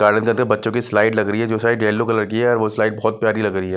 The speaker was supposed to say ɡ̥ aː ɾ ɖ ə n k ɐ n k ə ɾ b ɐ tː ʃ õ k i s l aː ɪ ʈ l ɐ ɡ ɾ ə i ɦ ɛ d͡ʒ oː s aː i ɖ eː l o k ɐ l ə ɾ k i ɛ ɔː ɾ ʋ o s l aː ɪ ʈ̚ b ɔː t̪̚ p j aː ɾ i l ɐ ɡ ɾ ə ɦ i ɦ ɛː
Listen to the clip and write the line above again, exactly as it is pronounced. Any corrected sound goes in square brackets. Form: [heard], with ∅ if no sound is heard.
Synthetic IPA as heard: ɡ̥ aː ɾ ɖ ə n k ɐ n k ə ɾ b ɐ tː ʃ õ k i s l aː ɪ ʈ l ɐ ɡ ɾ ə i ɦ ɛ d͡ʒ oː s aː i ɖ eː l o k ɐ l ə ɾ k i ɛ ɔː ɾ ʋ o s l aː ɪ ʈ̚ b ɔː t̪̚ p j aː ɾ i l ɐ ɡ ɾ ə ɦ i ɦ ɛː